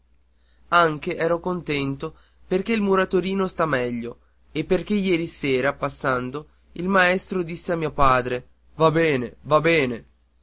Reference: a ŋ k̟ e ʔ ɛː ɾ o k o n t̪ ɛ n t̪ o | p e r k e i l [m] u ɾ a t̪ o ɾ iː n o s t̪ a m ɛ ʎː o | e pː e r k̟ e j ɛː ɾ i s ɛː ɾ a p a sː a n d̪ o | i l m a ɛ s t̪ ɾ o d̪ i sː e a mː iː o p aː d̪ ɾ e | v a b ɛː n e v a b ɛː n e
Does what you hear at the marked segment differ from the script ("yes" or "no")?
no